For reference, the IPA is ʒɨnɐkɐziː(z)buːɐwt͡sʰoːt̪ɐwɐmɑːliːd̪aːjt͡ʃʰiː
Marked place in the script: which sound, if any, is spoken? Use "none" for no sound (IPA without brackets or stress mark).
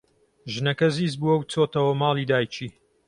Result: z